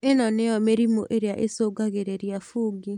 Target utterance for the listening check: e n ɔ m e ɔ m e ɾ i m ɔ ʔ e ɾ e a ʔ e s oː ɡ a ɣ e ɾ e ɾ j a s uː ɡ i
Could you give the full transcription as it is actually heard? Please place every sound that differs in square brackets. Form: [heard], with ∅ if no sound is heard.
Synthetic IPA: e n ɔ [n] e ɔ m e ɾ i m [o] ʔ e ɾ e a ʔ e s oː ɡ a ɣ e ɾ e ɾ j a [f] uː ɡ i

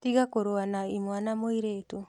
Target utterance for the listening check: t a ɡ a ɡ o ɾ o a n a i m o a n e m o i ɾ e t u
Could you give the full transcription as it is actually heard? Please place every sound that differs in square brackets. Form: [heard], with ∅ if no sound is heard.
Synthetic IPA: t [i] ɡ a [k] o ɾ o a n a i m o a n [a] m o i ɾ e t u

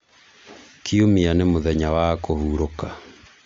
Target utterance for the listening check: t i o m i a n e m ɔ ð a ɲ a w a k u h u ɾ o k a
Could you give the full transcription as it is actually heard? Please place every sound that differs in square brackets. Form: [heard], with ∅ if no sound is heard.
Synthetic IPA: [k] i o m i a n e m [o] ð [ɛ] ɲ a w a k [o] h u ɾ o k a

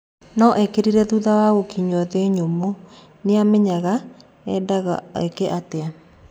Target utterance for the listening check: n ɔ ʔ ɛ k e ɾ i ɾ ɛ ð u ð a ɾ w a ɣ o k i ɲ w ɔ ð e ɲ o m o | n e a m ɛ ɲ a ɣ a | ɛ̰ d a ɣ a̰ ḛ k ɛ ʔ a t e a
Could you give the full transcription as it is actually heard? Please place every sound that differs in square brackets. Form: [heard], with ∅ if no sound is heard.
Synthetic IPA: n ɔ ʔ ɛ k e ɾ i ɾ ɛ ð u ð a [∅] w a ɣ o k i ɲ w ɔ ð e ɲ o m o | n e a m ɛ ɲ a ɣ a | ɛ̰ d a ɣ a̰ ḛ k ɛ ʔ a t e a

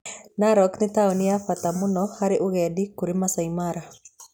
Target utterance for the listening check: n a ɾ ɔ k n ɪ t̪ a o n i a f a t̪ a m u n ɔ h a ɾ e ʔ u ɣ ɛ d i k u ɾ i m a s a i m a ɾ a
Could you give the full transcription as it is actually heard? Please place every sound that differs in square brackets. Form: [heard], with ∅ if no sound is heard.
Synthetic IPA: n a ɾ ɔ k n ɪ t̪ a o n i a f a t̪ a m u n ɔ h a ɾ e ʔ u ɣ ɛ d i k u ɾ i m a s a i m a ɾ a

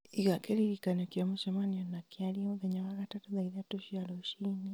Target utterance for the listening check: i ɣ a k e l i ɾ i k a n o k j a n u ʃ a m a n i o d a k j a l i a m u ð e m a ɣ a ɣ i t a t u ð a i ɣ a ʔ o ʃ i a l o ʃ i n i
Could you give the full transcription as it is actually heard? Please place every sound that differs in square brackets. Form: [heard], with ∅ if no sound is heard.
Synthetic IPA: i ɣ a k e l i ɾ i k a n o k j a [m] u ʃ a m a n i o [n] a k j a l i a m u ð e [ɲ] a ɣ a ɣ [a] t a t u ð a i [ð] a [t] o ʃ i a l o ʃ i n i

